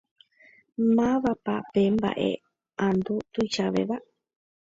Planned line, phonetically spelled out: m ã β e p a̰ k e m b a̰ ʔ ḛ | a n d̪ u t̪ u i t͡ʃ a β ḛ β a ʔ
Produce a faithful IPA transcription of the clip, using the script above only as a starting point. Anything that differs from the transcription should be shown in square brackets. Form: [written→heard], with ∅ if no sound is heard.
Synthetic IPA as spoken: m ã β [e→a] p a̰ [k→p] e m b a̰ ʔ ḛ | a n d̪ u t̪ u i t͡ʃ a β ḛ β a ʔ